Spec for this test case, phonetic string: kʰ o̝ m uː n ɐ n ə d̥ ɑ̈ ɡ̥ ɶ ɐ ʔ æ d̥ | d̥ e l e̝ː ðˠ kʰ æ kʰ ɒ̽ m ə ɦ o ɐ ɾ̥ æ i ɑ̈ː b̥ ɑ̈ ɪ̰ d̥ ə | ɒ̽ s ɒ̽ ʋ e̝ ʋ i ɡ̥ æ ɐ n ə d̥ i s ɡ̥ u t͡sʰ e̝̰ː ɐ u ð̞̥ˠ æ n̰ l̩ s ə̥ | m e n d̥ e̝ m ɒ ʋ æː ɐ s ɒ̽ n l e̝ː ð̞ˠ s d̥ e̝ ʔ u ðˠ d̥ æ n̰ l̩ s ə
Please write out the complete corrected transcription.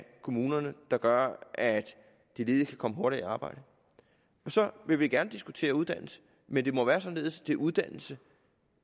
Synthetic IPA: kʰ o̝ m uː n ɐ n ə d̥ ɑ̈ ɡ̥ ɶ ɐ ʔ æ d̥ | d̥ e l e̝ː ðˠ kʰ æ kʰ ɒ̽ m ə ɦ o ɐ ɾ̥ i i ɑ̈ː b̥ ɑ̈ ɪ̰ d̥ ə | ɒ̽ s ɒ̽ ʋ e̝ ʋ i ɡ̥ æ ɐ n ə d̥ i s ɡ̥ u t͡sʰ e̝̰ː ɐ u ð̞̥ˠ æ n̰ l̩ s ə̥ | m e n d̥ e̝ m ɒ ʋ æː ɐ s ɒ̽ n l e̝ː ð̞ˠ s d̥ e̝ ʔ u ðˠ d̥ æ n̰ l̩ s ə